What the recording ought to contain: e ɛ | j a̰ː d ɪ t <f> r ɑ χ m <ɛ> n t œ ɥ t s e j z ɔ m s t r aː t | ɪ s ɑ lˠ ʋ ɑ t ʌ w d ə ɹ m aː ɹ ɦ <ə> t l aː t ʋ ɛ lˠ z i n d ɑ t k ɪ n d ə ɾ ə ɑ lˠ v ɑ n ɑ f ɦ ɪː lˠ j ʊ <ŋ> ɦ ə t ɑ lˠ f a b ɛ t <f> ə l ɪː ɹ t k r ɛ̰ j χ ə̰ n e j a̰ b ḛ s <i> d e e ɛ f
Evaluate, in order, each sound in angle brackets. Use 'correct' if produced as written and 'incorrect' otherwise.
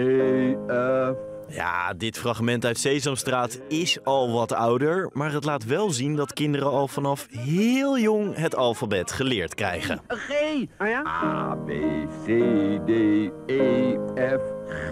correct, correct, correct, correct, incorrect, incorrect

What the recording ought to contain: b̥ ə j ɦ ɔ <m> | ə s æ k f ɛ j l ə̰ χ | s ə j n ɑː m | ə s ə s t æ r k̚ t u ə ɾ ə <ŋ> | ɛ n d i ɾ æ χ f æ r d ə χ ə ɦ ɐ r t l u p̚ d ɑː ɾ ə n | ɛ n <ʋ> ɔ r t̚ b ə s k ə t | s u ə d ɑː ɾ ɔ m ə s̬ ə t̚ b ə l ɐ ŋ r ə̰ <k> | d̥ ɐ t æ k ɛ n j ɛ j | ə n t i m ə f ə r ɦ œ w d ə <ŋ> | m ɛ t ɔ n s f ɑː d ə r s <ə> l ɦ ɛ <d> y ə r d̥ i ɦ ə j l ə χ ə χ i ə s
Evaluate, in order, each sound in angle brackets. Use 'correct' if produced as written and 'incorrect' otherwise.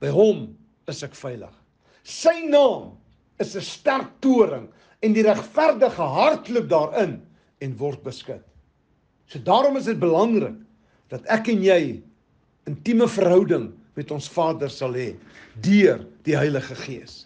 correct, correct, incorrect, correct, correct, incorrect, correct

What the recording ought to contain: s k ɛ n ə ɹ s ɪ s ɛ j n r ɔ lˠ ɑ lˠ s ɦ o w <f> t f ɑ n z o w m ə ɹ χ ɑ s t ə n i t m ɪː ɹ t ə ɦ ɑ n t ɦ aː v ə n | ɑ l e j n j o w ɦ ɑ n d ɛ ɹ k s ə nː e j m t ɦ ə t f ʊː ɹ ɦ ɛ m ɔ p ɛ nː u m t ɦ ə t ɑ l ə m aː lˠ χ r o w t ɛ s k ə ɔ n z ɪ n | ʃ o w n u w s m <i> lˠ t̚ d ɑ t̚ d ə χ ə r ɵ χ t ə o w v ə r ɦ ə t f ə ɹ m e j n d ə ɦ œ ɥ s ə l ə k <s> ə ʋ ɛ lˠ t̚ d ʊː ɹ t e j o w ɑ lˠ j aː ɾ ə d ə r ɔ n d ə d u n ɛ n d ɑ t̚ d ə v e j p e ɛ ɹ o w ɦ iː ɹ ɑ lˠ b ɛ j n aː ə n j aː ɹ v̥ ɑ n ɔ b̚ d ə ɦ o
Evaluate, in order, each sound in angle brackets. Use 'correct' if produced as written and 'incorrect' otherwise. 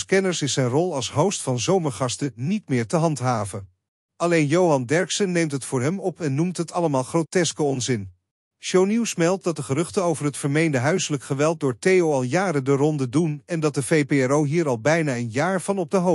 incorrect, incorrect, incorrect

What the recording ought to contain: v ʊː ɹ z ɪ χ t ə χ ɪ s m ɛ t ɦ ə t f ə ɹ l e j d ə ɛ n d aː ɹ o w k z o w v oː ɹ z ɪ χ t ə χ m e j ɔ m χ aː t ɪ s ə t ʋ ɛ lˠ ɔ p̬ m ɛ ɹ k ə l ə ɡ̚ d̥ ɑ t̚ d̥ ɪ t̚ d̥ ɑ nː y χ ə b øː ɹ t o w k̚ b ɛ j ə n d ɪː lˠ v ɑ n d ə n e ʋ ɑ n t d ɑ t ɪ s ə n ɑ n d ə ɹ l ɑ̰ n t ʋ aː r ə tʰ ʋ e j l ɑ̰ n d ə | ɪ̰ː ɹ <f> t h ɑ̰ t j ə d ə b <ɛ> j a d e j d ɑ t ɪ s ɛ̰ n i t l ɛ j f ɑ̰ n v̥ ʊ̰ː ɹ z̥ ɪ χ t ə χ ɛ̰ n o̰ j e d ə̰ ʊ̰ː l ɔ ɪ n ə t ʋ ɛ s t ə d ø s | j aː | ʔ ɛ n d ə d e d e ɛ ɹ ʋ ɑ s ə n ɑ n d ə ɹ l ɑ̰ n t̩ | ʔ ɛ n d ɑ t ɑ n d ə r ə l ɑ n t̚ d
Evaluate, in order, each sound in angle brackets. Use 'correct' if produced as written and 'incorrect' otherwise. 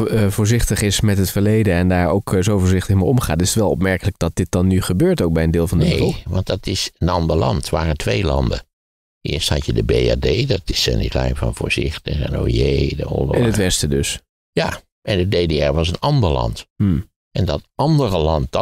incorrect, incorrect

